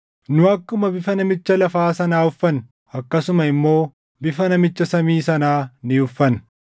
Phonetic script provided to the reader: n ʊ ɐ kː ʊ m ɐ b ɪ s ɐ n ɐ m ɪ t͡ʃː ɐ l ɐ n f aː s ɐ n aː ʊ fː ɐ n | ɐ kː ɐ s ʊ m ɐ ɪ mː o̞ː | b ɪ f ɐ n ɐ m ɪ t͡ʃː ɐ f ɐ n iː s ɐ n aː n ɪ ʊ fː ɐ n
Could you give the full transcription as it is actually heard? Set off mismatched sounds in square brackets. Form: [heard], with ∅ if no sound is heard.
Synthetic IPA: n ʊ ɐ kː ʊ m ɐ b ɪ [f] ɐ n ɐ m ɪ t͡ʃː ɐ l ɐ [∅] f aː s ɐ n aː ʊ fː ɐ n | ɐ kː ɐ s ʊ m ɐ ɪ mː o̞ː | b ɪ f ɐ n ɐ m ɪ t͡ʃː ɐ [s] ɐ [m] iː s ɐ n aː n ɪ ʊ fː ɐ n

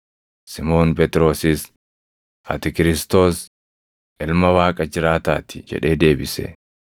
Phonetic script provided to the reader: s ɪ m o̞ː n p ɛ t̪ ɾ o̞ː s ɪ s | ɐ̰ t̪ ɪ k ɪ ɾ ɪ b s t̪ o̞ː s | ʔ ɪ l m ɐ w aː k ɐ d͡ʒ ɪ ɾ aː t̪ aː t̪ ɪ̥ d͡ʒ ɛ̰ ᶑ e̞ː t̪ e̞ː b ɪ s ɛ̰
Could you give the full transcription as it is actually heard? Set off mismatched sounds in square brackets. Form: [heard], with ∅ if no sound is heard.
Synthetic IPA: s ɪ m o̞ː n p ɛ t̪ ɾ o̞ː s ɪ s | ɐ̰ t̪ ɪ k ɪ ɾ ɪ [∅] s t̪ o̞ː s | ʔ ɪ l m ɐ w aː [kʼ] ɐ d͡ʒ ɪ ɾ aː t̪ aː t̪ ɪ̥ d͡ʒ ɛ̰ ᶑ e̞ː [d̪] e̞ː b ɪ s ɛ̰

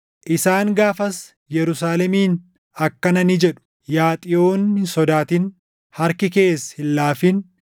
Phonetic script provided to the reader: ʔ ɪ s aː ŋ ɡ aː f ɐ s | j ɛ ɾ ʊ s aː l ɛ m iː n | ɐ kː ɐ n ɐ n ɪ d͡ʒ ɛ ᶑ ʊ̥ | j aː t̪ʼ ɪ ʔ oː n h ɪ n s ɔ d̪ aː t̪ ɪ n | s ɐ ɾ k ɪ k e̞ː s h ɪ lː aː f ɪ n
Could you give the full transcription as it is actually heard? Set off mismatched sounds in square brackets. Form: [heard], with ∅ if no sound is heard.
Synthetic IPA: ʔ ɪ s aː ŋ ɡ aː f ɐ s | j ɛ ɾ ʊ s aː l ɛ m iː n | ɐ kː ɐ n ɐ n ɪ d͡ʒ ɛ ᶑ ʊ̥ | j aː t̪ʼ ɪ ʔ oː n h ɪ n s ɔ d̪ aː t̪ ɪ n | [h] ɐ ɾ k ɪ k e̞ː s h ɪ lː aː f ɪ n

